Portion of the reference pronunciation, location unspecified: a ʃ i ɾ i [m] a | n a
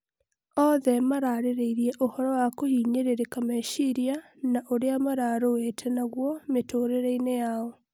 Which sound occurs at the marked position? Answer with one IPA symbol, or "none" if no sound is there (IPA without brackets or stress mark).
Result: none